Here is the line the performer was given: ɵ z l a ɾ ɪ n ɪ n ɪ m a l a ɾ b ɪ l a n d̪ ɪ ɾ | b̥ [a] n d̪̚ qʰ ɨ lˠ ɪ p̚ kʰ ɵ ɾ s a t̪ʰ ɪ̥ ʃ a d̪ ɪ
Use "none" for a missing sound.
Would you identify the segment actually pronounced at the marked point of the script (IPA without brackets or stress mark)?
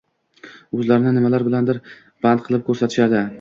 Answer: a